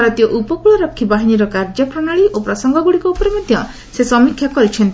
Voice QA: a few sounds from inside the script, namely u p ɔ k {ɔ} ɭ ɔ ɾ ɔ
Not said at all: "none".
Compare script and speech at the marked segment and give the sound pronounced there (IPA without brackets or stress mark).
u